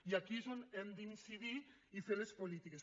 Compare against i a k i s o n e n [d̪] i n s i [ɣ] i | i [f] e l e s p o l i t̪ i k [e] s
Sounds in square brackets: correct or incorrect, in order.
correct, incorrect, correct, correct

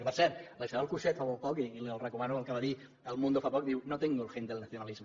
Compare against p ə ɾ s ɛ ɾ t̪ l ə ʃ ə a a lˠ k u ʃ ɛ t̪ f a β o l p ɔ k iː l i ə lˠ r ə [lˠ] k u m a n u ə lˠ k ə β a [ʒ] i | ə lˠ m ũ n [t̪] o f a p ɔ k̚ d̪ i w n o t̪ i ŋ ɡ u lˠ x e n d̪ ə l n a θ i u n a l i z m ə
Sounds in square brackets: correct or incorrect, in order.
incorrect, incorrect, incorrect

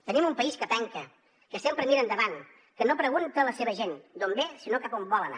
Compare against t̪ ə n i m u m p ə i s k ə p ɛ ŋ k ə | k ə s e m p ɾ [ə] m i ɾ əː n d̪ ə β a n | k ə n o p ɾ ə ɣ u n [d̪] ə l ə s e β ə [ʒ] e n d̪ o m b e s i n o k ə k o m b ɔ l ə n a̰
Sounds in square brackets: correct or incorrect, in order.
correct, incorrect, correct

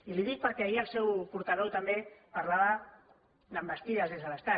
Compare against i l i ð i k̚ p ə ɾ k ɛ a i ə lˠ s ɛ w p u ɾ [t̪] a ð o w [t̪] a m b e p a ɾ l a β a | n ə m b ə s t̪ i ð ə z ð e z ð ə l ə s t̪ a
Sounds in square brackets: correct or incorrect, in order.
correct, correct

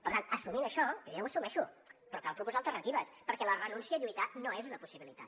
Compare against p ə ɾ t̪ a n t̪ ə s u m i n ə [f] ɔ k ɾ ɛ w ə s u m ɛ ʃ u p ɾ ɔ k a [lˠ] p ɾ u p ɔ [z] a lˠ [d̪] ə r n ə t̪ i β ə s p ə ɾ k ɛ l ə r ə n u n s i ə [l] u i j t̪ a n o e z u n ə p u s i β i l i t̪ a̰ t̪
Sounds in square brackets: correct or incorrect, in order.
incorrect, correct, correct, incorrect, incorrect

